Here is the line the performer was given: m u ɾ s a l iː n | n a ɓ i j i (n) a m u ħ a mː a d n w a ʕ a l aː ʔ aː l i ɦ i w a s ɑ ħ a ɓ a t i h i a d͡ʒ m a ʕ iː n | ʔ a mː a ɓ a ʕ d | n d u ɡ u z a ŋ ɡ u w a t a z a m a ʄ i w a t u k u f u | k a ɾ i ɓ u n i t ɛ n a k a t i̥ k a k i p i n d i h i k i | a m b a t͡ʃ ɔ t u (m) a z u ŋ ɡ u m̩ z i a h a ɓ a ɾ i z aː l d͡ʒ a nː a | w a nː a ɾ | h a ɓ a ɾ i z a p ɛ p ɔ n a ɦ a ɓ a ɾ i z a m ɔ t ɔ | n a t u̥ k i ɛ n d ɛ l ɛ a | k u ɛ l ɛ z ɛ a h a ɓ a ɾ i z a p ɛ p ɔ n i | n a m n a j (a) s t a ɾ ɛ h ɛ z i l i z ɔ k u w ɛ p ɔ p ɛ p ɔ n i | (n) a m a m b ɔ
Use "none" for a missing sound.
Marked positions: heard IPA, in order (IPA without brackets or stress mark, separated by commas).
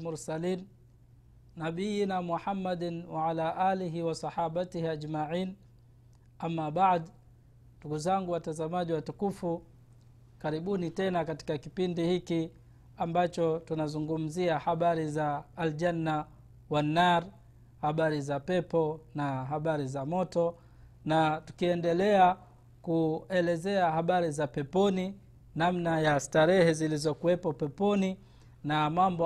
n, n, a, n